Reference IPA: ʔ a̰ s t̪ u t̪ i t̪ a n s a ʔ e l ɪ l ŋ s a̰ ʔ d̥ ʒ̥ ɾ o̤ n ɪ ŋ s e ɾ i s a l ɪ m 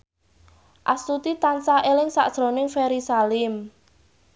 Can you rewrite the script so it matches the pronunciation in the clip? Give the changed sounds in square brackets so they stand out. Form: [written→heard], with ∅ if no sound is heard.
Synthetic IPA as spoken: ʔ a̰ s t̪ u t̪ i t̪ a n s a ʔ e l ɪ [l→∅] ŋ s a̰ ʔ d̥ ʒ̥ ɾ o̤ n ɪ ŋ [s→f] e ɾ i s a l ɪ m